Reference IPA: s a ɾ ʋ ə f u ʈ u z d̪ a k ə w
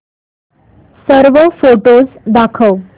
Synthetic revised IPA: s ə ɾ ʋ ə f o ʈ o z d̪ a kʰ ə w